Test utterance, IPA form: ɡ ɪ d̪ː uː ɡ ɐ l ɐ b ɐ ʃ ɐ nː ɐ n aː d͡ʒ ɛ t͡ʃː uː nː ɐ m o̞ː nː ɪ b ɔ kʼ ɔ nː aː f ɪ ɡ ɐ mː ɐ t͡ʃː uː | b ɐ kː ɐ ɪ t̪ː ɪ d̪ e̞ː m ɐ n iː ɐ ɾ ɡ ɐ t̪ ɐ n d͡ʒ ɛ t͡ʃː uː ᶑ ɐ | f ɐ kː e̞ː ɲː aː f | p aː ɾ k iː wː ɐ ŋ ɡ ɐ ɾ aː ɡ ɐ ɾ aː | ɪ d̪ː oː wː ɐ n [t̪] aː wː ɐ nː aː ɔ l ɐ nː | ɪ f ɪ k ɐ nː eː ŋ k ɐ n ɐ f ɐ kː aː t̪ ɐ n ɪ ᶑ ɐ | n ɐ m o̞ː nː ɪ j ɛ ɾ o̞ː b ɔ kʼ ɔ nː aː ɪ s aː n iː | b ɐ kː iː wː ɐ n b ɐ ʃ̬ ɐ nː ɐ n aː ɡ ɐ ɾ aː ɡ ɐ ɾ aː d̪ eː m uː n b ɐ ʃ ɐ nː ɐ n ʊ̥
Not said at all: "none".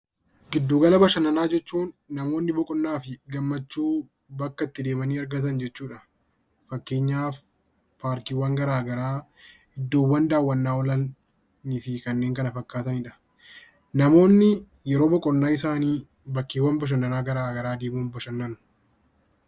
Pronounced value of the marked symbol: d̪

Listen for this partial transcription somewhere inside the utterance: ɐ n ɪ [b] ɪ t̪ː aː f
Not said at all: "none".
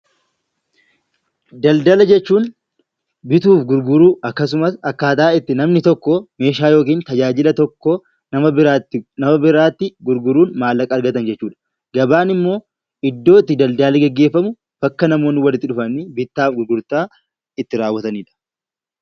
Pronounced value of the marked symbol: b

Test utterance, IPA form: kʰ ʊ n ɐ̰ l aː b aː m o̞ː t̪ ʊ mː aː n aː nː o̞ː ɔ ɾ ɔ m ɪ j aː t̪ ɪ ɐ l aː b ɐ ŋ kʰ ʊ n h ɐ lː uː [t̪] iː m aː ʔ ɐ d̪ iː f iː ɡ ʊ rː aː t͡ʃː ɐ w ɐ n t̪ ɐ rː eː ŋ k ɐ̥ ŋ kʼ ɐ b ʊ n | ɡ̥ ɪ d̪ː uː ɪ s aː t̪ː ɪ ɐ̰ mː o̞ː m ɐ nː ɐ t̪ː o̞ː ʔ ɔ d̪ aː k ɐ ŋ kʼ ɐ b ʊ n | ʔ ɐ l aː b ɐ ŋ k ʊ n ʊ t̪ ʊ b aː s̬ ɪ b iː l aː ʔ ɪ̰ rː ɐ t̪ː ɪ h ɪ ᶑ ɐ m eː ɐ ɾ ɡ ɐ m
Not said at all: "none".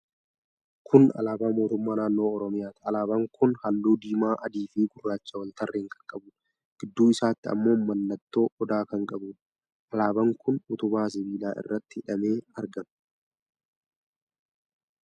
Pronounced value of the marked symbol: d̪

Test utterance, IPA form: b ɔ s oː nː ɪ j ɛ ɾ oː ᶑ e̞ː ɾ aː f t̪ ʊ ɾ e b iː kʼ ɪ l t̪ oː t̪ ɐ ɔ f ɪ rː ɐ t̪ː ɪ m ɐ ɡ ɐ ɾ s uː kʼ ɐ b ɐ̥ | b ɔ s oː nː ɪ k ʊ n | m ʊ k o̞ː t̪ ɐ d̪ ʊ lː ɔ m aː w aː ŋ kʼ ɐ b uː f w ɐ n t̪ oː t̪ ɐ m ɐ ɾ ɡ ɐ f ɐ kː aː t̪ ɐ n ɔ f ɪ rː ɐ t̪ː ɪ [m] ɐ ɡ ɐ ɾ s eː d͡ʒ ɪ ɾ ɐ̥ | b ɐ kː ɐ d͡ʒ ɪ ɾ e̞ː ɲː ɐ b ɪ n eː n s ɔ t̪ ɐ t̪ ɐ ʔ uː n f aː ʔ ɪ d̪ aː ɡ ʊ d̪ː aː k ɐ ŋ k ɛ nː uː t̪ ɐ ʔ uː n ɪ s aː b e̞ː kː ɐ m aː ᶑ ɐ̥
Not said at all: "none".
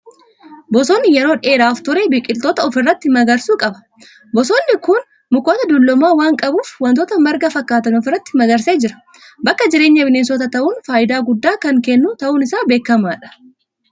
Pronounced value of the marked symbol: m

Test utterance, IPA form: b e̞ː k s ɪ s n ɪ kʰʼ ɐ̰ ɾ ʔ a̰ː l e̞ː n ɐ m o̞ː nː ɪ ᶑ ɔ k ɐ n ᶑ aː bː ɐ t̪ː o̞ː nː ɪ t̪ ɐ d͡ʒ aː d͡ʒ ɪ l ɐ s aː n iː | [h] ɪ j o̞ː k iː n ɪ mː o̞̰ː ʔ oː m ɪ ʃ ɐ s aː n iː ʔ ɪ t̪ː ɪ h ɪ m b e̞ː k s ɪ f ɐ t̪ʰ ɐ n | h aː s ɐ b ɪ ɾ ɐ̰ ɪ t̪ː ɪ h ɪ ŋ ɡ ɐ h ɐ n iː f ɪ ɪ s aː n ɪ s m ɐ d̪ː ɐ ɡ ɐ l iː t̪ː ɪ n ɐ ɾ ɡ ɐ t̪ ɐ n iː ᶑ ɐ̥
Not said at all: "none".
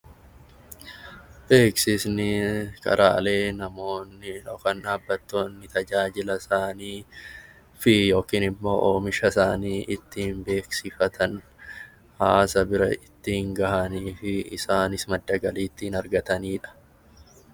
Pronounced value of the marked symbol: f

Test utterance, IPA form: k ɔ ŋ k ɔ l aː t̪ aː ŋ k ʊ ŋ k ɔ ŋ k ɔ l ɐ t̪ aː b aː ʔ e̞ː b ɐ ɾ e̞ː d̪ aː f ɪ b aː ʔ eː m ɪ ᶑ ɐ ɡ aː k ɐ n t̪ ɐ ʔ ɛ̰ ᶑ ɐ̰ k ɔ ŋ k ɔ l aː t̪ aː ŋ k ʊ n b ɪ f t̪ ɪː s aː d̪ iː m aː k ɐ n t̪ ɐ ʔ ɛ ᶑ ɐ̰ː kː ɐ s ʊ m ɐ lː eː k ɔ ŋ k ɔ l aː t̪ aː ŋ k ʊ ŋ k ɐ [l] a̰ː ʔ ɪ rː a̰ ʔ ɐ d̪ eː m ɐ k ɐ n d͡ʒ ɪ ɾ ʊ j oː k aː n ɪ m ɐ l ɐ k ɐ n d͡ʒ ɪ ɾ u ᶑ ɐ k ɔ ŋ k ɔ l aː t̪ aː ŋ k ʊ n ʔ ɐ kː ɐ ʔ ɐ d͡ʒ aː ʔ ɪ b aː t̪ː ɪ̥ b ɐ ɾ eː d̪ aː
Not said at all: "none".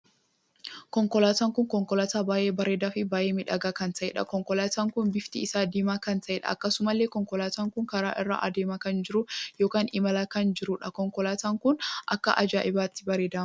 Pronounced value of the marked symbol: ɾ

